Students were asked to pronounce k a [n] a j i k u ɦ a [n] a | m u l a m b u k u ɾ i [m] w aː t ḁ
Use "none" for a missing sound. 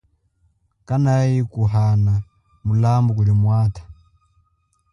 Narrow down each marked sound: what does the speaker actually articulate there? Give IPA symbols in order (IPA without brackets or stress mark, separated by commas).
n, n, m